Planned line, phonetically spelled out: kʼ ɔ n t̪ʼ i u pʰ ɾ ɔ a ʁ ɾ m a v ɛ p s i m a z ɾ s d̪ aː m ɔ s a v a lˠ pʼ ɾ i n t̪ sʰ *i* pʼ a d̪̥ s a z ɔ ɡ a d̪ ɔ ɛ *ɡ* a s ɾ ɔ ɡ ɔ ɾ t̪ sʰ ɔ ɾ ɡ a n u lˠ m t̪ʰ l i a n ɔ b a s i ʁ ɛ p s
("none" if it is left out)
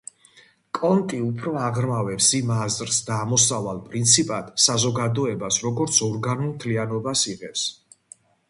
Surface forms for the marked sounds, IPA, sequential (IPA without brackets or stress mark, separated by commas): i, b